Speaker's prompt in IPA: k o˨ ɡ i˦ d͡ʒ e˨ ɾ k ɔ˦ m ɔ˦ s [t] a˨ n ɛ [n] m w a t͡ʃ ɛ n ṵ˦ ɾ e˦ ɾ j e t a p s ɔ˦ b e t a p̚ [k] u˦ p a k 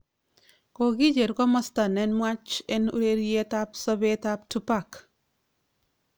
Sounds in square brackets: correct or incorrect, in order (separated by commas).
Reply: correct, correct, incorrect